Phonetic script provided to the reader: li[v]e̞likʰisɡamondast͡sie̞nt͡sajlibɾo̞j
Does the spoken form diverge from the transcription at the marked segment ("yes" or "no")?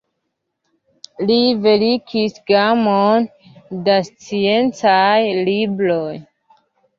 no